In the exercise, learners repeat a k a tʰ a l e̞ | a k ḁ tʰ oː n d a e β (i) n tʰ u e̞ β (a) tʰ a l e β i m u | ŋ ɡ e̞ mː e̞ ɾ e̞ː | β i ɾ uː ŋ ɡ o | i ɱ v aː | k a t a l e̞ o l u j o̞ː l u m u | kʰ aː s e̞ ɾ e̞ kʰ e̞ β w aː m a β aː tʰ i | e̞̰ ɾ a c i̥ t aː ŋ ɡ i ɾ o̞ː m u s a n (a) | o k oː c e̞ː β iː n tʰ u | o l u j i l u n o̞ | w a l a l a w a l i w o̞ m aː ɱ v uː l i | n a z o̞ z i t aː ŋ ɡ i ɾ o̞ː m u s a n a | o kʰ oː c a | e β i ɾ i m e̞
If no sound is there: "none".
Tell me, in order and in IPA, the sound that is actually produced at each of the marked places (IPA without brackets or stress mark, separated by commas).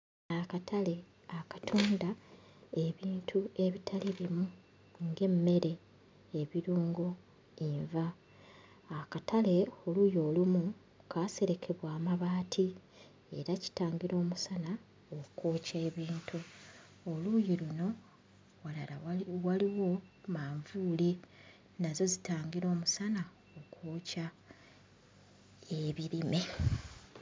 iː, i, a